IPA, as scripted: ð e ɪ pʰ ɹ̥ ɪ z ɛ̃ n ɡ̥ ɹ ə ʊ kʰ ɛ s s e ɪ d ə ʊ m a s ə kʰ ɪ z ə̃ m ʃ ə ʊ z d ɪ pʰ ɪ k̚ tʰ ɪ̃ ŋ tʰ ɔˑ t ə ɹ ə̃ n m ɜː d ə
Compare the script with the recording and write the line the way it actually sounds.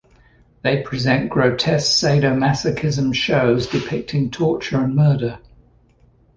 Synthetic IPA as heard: ð e ɪ pʰ ɹ̥ ɪ z ɛ̃ n ɡ̥ ɹ ə ʊ tʰ ɛ s s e ɪ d ə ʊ m a s ə kʰ ɪ z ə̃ m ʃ ə ʊ z d ɪ pʰ ɪ k̚ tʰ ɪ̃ ŋ tʰ ɔˑ t͡ʃ ə ɹ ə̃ n m ɜː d ə